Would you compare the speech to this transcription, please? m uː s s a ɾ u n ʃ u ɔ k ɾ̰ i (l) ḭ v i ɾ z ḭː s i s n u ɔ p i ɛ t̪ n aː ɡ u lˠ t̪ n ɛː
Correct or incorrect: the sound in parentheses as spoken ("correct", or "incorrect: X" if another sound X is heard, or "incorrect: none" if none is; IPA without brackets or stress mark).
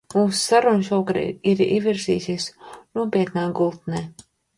incorrect: ɾ